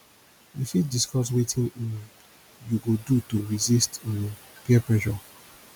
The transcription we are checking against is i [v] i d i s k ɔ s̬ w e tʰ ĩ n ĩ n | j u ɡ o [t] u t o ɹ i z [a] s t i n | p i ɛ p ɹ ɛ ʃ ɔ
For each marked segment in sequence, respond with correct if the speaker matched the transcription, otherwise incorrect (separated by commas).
incorrect, incorrect, incorrect